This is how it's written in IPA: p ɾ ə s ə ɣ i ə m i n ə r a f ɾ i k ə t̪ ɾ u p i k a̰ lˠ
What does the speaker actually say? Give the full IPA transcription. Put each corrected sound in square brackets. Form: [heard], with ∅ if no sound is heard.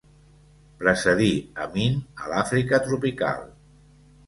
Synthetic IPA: p ɾ ə s ə [ð] i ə m i n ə [l] a f ɾ i k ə t̪ ɾ u p i k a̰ lˠ